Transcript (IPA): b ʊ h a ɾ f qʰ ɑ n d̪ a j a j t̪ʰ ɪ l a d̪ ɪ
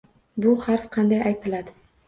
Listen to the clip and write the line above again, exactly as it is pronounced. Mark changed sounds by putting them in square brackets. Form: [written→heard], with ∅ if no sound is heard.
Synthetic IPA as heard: b ʊ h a ɾ f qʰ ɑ n d̪ a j a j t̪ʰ ɪ l a d̪ ɪ